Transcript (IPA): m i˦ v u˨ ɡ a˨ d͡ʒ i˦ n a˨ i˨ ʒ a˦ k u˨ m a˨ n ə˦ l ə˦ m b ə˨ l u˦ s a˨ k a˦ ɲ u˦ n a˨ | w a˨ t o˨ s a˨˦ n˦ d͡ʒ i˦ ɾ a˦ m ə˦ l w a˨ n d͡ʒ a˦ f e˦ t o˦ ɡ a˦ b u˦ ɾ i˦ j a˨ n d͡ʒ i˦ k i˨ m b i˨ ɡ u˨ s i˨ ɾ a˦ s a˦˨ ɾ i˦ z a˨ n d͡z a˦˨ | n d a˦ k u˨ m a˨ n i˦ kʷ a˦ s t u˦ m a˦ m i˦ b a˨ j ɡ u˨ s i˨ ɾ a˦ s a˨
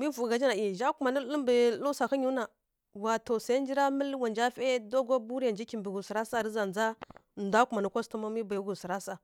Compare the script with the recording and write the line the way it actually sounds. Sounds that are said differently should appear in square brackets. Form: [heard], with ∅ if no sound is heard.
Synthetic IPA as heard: m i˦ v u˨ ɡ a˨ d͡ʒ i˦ n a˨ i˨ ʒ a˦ k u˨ m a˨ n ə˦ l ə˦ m b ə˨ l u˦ s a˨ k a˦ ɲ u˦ n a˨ | w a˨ t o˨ s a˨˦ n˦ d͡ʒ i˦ ɾ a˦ m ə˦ l w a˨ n d͡ʒ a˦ f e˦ [d] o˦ ɡ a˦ b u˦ ɾ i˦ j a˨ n d͡ʒ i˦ k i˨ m b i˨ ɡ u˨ s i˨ ɾ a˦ s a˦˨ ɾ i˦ z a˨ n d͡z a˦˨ | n d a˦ k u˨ m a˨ n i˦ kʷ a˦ s t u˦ m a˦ m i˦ b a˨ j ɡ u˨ s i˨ ɾ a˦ s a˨